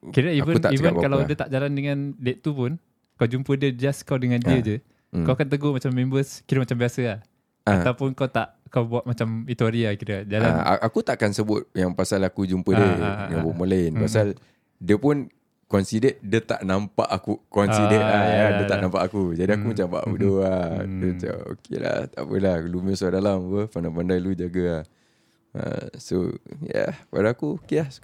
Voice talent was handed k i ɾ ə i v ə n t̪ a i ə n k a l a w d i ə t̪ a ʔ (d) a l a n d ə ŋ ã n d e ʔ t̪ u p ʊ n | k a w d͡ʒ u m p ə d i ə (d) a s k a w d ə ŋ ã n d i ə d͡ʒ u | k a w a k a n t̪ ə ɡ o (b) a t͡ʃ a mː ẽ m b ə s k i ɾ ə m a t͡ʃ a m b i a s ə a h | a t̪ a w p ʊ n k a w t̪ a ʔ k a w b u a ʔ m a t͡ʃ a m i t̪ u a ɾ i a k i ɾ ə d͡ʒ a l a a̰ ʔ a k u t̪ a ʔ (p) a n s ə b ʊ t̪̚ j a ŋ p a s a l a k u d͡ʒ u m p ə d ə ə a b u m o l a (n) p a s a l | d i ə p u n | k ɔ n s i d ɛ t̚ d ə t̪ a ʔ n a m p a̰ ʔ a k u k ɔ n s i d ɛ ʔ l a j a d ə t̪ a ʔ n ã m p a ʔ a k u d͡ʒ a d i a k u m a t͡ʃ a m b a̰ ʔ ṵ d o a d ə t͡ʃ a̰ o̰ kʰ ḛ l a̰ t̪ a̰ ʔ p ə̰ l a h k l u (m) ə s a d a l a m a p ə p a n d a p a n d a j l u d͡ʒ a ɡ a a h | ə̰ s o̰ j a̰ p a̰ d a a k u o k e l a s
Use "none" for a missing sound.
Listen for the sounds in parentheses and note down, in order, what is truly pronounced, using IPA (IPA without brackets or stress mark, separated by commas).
d͡ʒ, d͡ʒ, m, k, n, m